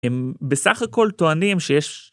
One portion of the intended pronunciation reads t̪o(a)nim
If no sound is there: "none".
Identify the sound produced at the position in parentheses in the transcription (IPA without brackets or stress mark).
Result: a